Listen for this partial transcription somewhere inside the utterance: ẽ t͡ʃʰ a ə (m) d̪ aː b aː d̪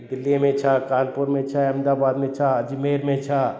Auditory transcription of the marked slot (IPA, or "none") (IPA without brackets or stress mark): m